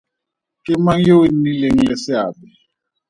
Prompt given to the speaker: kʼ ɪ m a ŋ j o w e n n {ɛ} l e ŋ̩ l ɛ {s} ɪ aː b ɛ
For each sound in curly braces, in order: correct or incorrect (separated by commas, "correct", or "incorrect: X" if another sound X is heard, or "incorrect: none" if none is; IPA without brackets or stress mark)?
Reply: incorrect: i, correct